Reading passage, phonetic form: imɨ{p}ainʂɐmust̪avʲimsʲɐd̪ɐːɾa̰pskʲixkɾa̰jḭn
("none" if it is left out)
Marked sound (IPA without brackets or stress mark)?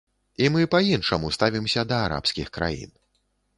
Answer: p